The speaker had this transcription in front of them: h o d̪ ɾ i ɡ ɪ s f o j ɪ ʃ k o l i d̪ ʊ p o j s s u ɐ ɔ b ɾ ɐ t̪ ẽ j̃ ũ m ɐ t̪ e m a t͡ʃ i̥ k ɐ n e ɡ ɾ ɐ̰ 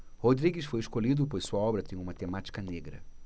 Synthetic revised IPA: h o d̪ ɾ i ɡ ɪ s f o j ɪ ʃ k o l i d̪ ʊ p o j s s u ɐ ɔ b ɾ ɐ t̪ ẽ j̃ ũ m ɐ t̪ e m a t͡ʃ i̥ k ɐ n e ɡ ɾ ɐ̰